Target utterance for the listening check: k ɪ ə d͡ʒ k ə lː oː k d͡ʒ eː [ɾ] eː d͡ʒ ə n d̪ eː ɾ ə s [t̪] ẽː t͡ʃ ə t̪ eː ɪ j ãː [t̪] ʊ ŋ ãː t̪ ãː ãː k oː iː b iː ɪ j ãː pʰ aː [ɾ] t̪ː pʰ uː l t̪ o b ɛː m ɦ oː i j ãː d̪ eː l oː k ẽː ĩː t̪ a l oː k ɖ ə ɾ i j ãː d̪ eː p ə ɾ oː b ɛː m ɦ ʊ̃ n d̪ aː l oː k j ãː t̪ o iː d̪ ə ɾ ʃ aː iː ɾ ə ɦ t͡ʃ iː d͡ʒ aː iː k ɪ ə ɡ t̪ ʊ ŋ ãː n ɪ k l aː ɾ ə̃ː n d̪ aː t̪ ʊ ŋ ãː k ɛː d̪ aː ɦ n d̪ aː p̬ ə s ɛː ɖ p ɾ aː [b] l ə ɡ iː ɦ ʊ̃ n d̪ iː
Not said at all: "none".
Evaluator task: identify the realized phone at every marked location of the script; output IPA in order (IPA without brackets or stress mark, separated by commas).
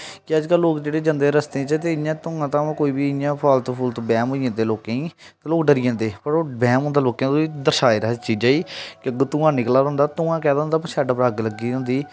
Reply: ɽ, t̪, t̪, l, ɡ